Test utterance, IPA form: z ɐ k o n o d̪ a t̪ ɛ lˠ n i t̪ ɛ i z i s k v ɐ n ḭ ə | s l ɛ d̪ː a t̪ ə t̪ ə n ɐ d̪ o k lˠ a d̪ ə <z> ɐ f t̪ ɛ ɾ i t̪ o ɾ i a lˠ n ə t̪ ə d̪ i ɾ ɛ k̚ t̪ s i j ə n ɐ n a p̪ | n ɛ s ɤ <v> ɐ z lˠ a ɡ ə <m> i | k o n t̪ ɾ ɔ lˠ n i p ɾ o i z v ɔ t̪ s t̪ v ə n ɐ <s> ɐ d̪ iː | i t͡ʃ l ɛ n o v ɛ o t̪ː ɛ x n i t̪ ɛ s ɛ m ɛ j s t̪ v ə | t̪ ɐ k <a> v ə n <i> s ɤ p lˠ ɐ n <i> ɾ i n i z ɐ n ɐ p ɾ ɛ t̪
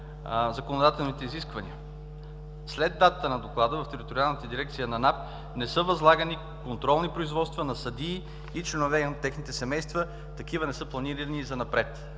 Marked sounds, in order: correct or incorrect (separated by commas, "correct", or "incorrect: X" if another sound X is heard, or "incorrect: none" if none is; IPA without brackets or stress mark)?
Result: incorrect: v, correct, incorrect: n, correct, incorrect: i, incorrect: ɛ, correct